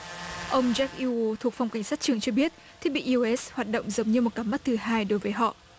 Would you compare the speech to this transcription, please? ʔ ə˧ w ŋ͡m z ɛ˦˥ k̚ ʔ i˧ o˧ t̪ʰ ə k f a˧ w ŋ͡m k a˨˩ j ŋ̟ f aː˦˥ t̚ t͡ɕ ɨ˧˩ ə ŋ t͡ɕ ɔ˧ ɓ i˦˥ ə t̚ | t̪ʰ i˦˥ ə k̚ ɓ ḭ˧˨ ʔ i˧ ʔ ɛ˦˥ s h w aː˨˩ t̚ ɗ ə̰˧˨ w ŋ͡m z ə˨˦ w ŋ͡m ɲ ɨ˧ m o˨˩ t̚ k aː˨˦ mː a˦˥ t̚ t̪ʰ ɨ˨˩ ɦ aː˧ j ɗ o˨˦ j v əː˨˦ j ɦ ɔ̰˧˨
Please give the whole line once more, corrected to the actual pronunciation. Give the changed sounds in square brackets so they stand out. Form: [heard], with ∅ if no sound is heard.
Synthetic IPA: ʔ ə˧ w ŋ͡m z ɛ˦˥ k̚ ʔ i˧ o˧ t̪ʰ ə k f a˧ w ŋ͡m k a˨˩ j ŋ̟ [s] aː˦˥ t̚ t͡ɕ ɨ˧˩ ə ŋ t͡ɕ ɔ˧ ɓ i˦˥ ə t̚ | t̪ʰ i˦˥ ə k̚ ɓ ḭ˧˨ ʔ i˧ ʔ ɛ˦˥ s h w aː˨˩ t̚ ɗ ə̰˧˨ w ŋ͡m z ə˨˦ w ŋ͡m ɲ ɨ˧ m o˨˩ t̚ k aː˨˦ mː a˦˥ t̚ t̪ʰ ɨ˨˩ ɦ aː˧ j ɗ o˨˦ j v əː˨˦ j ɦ ɔ̰˧˨